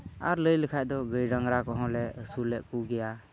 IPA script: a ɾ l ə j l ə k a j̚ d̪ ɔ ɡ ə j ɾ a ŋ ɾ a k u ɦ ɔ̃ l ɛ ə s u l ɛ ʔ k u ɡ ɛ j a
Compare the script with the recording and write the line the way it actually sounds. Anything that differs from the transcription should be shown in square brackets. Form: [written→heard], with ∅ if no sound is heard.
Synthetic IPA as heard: a ɾ l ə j l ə [k→kʰ] a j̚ d̪ ɔ ɡ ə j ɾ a ŋ ɾ a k [u→ɔ] ɦ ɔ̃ l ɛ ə s u l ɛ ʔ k u ɡ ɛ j a